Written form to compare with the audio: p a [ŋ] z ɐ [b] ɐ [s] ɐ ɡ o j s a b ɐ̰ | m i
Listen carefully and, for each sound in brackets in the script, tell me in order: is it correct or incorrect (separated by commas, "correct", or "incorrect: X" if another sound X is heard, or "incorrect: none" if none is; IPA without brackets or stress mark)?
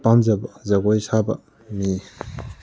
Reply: incorrect: m, correct, incorrect: z